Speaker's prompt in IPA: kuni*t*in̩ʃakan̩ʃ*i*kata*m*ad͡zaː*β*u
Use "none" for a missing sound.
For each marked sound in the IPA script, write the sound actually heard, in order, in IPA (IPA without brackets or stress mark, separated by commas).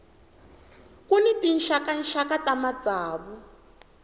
t, a, m, β